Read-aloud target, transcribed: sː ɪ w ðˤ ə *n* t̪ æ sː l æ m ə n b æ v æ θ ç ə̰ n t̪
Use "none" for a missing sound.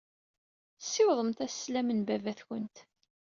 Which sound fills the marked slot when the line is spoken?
m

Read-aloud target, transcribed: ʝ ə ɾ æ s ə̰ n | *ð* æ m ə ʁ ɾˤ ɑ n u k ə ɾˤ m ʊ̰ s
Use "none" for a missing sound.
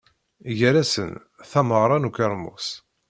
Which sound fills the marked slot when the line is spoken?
θ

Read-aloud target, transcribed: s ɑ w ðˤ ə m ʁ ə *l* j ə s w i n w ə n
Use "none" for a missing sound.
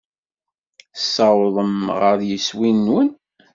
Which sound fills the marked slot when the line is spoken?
ɾ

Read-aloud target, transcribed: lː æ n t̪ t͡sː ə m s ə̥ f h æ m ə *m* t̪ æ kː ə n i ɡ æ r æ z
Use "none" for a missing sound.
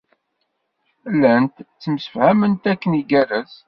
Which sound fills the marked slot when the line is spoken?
n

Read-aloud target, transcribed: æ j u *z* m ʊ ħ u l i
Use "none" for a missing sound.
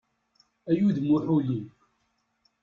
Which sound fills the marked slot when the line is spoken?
ð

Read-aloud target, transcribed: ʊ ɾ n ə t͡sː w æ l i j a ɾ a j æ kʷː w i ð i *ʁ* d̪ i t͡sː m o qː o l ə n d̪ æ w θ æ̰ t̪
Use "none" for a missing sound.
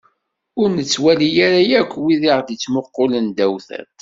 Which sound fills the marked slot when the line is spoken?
ʁ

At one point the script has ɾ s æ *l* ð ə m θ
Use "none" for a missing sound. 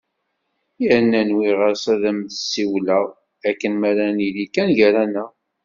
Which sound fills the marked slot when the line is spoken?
none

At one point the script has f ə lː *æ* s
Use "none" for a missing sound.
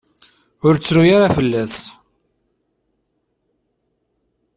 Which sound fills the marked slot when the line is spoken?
æ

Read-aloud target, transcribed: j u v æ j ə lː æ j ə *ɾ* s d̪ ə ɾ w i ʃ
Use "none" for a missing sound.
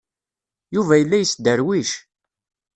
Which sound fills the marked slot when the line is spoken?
none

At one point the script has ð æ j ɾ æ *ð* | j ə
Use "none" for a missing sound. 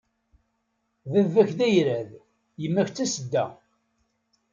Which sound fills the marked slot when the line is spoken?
ð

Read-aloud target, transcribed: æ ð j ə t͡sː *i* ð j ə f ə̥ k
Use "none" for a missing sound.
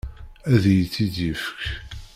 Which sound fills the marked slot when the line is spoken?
i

